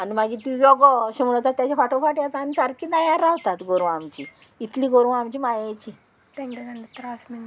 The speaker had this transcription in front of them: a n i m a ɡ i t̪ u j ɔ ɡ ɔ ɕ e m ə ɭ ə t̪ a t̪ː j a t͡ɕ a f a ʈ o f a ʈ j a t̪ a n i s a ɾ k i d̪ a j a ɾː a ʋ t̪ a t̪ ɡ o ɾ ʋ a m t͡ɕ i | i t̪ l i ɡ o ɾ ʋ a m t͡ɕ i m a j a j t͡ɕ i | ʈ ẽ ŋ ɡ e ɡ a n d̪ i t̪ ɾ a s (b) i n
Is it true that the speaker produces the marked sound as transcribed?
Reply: no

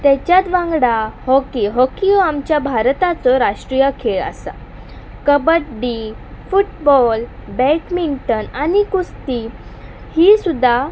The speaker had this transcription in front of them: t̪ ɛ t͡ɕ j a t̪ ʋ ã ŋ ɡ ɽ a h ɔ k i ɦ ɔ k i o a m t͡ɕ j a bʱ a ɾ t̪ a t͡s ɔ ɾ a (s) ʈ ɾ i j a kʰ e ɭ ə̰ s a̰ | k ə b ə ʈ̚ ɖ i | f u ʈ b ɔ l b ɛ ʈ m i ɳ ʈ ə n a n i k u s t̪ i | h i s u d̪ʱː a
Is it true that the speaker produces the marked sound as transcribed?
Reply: no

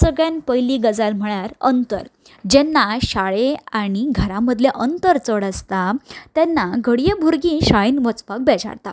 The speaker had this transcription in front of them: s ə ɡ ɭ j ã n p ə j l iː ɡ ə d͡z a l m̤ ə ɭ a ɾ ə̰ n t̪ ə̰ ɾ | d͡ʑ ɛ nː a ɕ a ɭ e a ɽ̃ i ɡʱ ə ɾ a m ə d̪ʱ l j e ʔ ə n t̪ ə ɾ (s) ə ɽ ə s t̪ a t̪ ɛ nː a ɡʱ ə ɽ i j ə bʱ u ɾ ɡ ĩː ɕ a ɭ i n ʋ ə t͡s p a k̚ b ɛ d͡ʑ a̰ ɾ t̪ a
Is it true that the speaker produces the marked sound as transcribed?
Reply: no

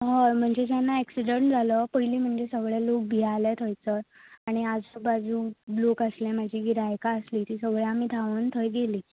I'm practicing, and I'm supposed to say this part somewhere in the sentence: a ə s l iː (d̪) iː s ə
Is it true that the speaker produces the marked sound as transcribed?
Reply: no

